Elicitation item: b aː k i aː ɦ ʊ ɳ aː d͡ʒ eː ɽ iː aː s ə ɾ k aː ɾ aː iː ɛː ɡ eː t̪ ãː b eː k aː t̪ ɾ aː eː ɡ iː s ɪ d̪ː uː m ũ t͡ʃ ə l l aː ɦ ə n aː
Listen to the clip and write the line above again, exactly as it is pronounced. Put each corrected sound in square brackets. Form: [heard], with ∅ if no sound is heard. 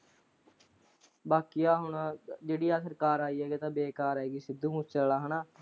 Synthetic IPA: b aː k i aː ɦ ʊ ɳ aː d͡ʒ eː ɽ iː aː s ə ɾ k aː ɾ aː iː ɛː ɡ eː t̪ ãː b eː k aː [∅] ɾ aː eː ɡ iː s ɪ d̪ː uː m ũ t͡ʃ ə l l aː ɦ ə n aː